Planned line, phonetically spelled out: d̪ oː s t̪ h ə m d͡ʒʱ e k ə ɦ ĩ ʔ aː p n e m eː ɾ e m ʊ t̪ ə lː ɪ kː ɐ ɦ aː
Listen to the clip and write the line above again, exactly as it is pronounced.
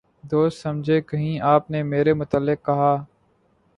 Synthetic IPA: d̪ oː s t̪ s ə m d͡ʒʱ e k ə ɦ ĩ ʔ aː p n e m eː ɾ e m ʊ t̪ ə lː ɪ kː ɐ ɦ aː

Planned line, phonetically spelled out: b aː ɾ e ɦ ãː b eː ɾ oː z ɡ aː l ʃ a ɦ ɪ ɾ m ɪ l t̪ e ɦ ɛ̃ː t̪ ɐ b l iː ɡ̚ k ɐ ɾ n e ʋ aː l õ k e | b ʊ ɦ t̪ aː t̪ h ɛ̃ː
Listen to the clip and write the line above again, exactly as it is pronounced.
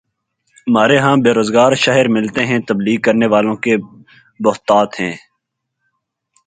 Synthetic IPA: m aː ɾ e ɦ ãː b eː ɾ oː z ɡ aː ɾ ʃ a ɦ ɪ ɾ m ɪ l t̪ e ɦ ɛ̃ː t̪ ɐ b l iː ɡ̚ k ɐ ɾ n e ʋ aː l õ k e | b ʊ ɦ t̪ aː t̪ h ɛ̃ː

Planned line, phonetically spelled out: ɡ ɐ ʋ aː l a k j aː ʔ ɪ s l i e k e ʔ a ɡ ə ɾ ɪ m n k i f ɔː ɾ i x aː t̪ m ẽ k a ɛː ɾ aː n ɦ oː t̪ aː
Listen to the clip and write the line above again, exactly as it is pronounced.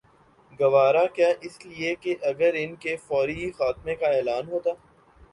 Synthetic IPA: ɡ ɐ ʋ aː ɾ a k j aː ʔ ɪ s l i e k e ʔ ɐ ɡ ə ɾ ɪ n k e f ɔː ɾ i x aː t̪ m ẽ k a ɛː l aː n ɦ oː t̪ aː

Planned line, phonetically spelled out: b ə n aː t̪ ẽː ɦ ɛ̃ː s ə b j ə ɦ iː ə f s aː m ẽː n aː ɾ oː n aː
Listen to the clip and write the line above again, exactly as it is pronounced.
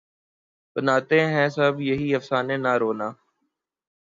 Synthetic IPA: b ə n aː t̪ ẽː ɦ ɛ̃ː s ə b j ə ɦ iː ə f s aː n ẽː n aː ɾ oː n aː

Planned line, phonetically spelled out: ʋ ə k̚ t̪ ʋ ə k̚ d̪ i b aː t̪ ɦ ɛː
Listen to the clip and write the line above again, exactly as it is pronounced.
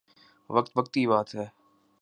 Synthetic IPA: ʋ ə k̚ t̪ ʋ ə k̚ t̪ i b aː t̪ ɦ ɛː

